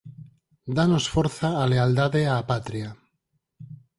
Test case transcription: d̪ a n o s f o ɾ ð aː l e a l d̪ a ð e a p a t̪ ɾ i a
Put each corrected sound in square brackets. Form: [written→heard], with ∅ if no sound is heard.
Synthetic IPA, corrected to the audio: d̪ a n o s f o ɾ [ð→θ] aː l e a l d̪ a ð e a p a t̪ ɾ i a